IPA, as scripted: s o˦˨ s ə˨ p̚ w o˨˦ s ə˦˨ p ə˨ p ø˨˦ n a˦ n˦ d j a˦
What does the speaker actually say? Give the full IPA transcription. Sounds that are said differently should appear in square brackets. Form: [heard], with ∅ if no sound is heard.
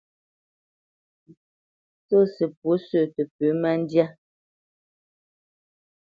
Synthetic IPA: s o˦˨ s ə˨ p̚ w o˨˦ s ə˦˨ [t] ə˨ p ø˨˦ [m] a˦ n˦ d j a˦